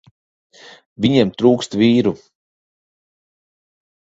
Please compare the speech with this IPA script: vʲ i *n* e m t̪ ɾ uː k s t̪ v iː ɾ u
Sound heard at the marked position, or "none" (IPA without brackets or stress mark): ɲ